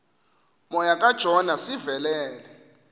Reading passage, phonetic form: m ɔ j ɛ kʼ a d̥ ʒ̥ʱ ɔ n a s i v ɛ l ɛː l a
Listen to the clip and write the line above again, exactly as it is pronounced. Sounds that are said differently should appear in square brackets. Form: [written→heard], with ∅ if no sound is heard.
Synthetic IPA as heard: m ɔ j [ɛ→a] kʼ a d̥ ʒ̥ʱ ɔ n a s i v ɛ l ɛː l [a→ɛ]